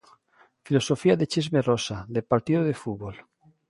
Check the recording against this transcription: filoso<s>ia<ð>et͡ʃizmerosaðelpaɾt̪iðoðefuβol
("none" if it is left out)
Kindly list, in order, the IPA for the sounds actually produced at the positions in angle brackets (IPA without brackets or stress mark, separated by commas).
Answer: f, ð